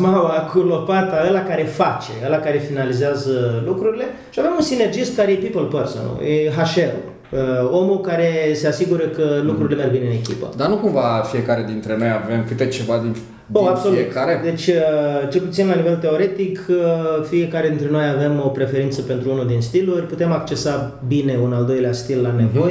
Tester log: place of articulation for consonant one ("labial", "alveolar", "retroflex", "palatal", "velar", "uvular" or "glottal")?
labial